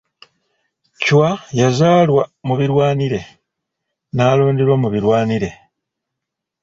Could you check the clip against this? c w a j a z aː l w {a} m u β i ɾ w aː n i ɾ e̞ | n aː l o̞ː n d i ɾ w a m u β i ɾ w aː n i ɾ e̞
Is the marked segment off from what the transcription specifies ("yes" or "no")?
no